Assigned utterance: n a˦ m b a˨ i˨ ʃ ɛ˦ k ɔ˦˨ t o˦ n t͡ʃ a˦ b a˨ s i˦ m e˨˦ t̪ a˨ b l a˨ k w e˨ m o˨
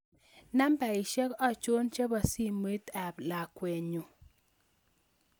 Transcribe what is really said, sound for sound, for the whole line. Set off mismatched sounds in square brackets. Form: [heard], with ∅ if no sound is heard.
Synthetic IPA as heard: n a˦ m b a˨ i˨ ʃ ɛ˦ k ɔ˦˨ [t͡ʃ] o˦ n t͡ʃ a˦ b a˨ s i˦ m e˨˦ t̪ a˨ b l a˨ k w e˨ [ɲ] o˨